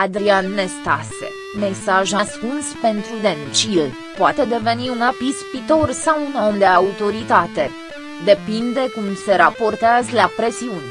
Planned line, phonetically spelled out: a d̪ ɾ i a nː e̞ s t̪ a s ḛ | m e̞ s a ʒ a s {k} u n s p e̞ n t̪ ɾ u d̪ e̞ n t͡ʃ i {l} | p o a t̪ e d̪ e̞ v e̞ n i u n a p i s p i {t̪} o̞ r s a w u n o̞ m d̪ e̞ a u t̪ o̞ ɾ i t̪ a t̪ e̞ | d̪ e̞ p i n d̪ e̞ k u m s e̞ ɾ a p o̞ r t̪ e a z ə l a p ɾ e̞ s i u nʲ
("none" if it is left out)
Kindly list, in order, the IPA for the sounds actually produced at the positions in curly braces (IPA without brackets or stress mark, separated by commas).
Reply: k, l, t̪